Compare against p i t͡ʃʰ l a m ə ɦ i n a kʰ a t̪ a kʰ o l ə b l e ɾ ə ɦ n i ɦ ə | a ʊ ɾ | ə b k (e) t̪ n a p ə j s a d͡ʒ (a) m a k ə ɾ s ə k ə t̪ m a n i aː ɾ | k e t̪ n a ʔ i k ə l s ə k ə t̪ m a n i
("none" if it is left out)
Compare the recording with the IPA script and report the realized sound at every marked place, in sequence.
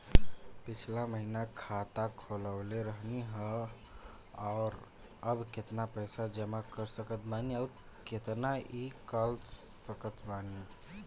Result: e, ə

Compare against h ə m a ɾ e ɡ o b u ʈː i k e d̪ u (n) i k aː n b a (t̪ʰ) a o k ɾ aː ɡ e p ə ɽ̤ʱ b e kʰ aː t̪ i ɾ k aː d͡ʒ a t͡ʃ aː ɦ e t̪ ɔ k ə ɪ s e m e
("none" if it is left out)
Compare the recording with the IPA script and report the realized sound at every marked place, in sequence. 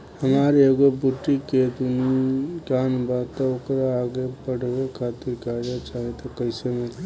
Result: n, t̪

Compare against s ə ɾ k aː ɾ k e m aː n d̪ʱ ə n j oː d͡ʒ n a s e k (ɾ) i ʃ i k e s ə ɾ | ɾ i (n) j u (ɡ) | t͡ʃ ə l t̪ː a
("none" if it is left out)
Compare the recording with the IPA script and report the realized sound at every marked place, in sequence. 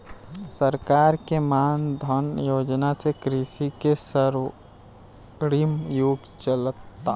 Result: ɾ, m, ɡ

